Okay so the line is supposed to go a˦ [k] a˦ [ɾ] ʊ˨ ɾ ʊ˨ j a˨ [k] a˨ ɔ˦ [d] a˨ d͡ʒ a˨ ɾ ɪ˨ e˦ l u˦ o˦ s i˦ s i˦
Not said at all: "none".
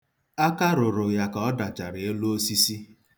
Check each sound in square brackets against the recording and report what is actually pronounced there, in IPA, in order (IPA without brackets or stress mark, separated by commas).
k, ɾ, k, d